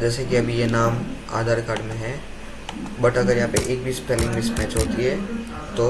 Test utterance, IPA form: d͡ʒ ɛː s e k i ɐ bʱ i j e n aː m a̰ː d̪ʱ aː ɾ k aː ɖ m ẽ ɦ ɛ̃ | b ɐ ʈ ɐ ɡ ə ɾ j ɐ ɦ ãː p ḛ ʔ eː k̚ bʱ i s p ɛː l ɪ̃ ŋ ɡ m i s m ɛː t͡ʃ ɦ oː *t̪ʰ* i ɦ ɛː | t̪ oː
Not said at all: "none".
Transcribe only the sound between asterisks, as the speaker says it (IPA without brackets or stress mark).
t̪